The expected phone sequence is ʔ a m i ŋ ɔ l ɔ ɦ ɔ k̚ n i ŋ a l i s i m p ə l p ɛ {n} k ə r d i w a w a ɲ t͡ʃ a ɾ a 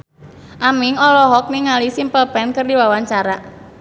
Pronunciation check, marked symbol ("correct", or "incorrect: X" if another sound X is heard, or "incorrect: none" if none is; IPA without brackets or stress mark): correct